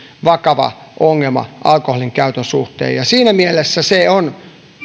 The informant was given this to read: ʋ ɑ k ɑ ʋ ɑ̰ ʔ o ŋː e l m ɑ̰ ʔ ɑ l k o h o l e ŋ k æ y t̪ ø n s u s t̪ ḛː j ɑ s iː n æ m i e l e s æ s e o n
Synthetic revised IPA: ʋ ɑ k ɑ ʋ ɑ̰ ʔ o ŋː e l m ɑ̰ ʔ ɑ l k o h o l i ŋ k æ y t̪ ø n s u h t̪ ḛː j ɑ s iː n æ m i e l e sː æ s e o n